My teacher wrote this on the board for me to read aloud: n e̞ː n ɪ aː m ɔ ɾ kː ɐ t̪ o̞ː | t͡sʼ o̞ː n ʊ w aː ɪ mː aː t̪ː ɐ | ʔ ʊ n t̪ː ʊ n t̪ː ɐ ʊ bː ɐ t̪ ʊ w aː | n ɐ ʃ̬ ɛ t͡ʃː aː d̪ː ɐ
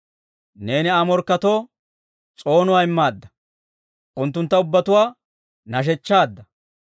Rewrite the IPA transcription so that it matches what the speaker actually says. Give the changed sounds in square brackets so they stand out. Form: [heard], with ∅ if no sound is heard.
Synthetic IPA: n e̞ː n ɪ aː m ɔ ɾ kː ɐ t̪ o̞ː | t͡sʼ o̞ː n ʊ w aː ɪ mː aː [d̪ː] ɐ | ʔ ʊ n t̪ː ʊ n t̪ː ɐ ʊ bː ɐ t̪ ʊ w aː | n ɐ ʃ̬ ɛ t͡ʃː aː d̪ː ɐ